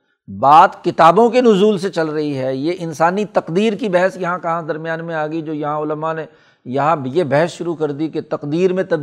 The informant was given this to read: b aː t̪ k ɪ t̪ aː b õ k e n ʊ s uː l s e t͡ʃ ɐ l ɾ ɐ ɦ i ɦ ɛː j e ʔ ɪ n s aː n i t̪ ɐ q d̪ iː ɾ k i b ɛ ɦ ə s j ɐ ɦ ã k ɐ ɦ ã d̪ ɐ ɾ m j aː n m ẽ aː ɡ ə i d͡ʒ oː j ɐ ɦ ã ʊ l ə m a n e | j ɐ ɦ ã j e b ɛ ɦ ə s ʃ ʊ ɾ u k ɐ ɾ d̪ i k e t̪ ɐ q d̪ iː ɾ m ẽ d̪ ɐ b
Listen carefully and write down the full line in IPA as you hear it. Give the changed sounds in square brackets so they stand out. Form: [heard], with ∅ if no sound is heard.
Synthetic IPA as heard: b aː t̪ k ɪ t̪ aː b õ k e n ʊ [z] uː l s e t͡ʃ ɐ l ɾ ɐ ɦ i ɦ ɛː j e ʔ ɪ n s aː n i t̪ ɐ q d̪ iː ɾ k i b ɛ ɦ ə s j ɐ ɦ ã k ɐ ɦ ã d̪ ɐ ɾ m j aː n m ẽ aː ɡ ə i d͡ʒ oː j ɐ ɦ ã ʊ l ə m a n e | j ɐ ɦ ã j e b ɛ ɦ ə s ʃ ʊ ɾ u k ɐ ɾ d̪ i k e t̪ ɐ q d̪ iː ɾ m ẽ [t̪] ɐ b